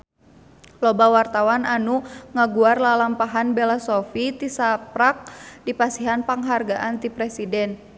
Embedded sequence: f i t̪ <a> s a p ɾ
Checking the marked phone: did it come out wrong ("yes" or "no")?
yes